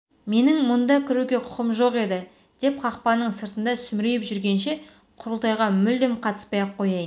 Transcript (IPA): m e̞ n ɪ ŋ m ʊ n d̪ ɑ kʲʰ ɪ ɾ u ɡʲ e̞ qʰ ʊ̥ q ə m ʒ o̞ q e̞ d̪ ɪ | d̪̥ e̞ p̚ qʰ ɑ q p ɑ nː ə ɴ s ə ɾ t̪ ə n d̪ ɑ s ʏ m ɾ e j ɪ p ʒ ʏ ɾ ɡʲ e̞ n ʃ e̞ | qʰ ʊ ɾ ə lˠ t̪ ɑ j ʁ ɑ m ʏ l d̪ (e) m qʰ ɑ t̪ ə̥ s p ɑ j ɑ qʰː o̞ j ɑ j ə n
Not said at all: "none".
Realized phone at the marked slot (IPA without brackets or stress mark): e